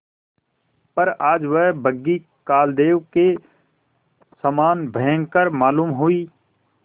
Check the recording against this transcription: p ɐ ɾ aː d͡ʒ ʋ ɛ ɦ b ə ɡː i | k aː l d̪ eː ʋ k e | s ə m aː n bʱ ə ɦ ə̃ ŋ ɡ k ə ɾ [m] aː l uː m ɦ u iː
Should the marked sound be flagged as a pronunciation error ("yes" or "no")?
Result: no